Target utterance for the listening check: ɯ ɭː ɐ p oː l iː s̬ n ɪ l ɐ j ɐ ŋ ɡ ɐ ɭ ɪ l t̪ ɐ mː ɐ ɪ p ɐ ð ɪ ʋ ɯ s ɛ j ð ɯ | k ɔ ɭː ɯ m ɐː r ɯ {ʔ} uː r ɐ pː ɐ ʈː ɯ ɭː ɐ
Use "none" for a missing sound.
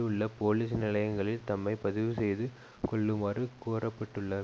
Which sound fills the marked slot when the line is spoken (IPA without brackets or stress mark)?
k